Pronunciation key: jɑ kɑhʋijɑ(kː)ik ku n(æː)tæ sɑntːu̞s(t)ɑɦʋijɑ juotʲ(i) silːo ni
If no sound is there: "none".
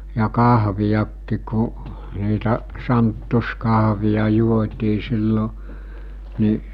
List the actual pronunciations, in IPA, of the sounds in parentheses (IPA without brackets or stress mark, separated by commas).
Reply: kː, iː, k, iː